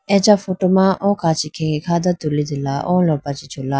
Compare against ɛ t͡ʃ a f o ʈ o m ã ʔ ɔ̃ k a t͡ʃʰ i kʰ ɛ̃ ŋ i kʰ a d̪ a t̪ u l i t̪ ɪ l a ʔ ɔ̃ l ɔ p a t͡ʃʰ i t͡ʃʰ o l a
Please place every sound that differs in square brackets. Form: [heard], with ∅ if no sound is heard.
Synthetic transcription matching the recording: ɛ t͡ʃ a f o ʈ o m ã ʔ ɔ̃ k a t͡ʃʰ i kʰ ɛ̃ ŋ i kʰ a d̪ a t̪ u l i [d̪] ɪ l a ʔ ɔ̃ l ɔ p a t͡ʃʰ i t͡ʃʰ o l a